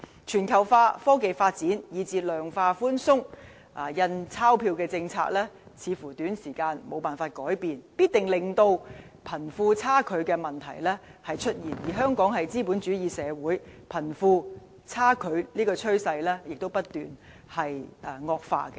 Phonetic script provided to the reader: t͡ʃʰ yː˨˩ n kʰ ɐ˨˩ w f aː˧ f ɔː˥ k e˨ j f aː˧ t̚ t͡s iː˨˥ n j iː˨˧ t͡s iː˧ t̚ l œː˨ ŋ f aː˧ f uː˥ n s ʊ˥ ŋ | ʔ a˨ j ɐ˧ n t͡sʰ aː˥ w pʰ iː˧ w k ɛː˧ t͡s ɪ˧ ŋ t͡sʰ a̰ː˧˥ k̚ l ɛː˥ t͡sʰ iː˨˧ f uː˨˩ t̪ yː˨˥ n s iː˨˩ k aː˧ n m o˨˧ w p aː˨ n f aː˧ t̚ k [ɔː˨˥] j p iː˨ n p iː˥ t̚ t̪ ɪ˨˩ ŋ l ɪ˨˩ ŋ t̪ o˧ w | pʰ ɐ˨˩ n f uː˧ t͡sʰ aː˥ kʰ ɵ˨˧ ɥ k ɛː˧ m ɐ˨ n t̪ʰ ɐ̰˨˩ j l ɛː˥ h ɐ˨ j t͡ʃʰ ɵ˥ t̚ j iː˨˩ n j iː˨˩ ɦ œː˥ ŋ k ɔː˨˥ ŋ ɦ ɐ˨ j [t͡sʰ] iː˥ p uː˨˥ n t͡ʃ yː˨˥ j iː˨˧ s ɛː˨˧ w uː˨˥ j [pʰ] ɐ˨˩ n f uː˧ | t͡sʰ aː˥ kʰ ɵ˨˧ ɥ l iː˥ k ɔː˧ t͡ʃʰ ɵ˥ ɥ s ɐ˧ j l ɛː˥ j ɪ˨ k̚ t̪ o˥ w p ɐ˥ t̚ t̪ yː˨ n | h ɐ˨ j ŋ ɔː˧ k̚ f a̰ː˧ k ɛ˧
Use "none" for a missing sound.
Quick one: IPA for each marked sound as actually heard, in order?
ɔː˨˥, t͡s, pʰ

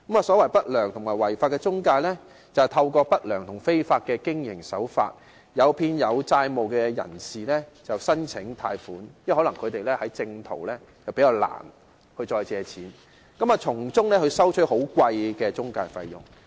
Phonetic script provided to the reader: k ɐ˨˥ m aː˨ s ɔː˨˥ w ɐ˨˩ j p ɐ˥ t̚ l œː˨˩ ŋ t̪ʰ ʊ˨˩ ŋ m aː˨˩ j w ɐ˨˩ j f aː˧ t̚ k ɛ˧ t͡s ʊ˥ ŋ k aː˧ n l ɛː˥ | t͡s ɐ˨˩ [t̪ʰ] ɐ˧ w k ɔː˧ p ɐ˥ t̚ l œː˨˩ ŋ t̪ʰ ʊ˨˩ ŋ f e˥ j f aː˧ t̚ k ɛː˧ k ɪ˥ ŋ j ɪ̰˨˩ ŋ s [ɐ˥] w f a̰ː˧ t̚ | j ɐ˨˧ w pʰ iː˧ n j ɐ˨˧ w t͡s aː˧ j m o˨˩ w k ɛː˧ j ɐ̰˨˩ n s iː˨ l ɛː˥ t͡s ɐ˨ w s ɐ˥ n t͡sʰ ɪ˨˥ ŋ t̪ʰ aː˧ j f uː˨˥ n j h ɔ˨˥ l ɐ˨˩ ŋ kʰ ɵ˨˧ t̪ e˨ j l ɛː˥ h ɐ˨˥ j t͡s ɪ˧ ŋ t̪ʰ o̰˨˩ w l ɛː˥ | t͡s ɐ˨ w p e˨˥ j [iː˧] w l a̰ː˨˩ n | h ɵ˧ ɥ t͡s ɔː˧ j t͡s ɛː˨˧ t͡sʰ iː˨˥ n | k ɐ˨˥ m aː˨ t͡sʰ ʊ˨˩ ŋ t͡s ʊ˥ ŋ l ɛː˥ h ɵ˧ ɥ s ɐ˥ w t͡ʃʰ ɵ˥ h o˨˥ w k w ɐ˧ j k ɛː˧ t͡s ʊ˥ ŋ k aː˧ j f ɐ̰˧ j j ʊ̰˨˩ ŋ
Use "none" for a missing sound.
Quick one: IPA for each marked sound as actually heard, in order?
t̪ʰ, ɐ˨˥, aː˧

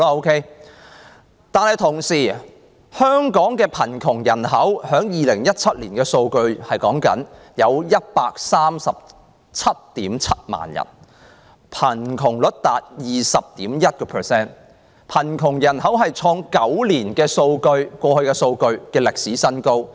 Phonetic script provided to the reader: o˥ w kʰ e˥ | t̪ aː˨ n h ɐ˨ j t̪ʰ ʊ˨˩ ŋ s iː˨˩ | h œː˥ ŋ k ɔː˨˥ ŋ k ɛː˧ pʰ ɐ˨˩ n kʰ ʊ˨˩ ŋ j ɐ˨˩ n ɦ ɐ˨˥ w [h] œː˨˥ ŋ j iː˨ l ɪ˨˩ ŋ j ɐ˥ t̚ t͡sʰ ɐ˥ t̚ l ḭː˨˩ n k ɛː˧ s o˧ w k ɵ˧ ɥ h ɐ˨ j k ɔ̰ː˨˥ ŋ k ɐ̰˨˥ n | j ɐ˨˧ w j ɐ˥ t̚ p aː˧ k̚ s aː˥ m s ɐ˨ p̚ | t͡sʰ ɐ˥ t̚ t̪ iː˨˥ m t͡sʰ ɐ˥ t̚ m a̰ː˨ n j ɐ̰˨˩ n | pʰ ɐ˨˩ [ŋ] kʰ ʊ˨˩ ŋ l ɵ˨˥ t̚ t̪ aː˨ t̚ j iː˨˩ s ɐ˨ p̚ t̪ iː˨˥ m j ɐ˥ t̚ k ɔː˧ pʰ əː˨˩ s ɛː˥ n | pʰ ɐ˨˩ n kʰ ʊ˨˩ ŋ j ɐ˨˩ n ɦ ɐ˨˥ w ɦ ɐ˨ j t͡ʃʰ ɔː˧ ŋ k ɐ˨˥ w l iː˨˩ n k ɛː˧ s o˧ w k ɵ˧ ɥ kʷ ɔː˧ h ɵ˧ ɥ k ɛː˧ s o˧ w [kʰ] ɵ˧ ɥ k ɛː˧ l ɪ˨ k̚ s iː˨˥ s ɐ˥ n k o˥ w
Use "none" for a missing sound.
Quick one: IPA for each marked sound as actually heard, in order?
h, n, k

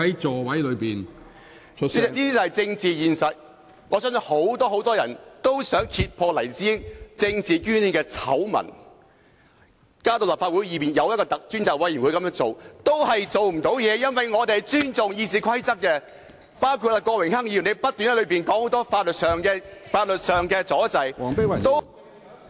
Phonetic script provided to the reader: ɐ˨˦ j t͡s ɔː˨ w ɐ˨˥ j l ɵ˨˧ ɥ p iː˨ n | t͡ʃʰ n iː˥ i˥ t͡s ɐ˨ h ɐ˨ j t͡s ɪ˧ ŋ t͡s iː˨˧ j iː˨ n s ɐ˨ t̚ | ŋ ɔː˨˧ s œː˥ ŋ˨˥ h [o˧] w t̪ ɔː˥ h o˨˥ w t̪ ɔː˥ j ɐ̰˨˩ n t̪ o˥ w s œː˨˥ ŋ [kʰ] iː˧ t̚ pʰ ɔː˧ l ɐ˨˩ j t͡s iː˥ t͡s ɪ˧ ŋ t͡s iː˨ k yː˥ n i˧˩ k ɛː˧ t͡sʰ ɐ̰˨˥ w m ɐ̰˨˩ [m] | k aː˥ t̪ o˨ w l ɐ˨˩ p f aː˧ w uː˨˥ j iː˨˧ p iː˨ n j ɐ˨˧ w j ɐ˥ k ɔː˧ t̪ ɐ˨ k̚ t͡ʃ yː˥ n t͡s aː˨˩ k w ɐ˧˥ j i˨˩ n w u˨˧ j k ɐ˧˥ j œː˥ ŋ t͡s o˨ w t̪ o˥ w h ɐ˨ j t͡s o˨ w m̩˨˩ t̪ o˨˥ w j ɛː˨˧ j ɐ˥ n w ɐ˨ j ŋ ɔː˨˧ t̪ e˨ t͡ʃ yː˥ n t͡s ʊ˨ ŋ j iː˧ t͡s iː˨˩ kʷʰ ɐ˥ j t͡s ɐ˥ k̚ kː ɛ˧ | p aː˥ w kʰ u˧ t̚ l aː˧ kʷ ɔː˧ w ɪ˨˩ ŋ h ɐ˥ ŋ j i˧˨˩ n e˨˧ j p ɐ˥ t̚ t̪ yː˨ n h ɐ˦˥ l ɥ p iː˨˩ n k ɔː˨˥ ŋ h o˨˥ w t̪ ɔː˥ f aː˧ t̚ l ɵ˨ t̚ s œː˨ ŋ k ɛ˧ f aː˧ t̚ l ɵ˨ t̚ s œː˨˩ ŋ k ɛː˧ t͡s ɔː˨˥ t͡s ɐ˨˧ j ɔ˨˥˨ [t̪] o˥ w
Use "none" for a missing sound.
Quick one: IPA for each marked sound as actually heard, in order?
o˨˥, kʰ, n, t̪

